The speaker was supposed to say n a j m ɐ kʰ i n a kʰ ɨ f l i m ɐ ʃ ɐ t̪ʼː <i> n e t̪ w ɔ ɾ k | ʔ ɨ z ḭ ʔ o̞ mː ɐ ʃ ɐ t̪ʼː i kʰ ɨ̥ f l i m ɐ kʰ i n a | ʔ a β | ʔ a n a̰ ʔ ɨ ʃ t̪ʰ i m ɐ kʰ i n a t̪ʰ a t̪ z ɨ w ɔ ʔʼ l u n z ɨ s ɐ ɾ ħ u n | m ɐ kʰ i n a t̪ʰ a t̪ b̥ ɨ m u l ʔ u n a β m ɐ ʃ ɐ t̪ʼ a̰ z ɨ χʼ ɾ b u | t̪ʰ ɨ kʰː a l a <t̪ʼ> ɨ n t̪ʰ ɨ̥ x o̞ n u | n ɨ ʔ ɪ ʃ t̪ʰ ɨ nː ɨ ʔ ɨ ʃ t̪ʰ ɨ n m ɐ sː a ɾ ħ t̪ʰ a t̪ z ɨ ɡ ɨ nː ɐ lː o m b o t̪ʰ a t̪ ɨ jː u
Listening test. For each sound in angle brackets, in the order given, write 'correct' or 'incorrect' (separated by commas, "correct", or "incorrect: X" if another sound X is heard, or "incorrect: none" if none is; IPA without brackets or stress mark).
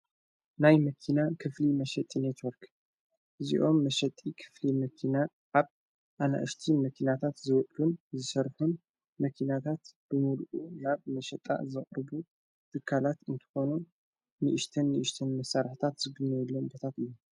correct, incorrect: t̪